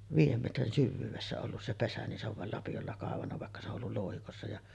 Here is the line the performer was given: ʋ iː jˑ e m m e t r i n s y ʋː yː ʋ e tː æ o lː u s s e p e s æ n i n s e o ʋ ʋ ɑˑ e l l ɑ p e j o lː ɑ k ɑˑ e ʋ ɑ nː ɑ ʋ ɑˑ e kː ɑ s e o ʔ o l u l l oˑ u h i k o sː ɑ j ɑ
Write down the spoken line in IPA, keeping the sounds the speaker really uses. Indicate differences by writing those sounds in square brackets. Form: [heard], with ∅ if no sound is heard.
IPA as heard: ʋ iː jˑ e m m e t r i n s y ʋː yː ʋ e [sː] æ o lː u s s e p e s æ n i n s e o ʋ ʋ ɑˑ e l l ɑ p [i] j o lː ɑ k ɑˑ e ʋ ɑ nː ɑ ʋ ɑˑ e kː ɑ s e o ʔ o [lː] u l l oˑ u h i k o sː ɑ j ɑ